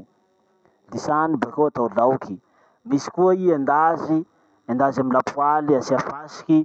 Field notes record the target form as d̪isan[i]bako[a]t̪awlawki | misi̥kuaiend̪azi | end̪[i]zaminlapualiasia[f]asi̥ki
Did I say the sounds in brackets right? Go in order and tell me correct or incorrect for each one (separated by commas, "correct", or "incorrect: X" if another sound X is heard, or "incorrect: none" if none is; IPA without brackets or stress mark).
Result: correct, correct, incorrect: a, correct